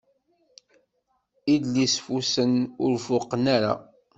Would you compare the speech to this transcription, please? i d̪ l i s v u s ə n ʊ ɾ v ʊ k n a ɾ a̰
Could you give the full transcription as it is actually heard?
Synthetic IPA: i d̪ l i s f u s ə n ʊ ɾ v ʊ q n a ɾ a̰